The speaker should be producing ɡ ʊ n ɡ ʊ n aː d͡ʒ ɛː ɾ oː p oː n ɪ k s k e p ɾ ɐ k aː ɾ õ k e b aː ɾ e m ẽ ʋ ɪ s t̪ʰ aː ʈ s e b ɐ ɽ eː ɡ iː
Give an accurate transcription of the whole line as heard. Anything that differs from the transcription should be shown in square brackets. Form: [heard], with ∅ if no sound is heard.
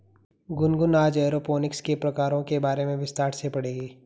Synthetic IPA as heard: ɡ ʊ n ɡ ʊ n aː d͡ʒ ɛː ɾ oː p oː n ɪ k s k e p ɾ ɐ k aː ɾ õ k e b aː ɾ e m ẽ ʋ ɪ s [t̪] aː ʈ s e [p] ɐ ɽ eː ɡ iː